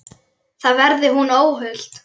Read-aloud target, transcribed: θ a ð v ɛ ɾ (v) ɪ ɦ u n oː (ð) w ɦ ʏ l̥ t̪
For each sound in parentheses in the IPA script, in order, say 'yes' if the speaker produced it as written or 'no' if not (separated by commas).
no, no